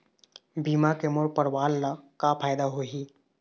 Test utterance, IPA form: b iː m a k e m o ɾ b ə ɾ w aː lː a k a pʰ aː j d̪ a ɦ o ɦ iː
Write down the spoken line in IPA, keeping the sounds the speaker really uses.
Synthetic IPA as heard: b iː m a k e m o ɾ p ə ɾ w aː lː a k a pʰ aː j d̪ a ɦ o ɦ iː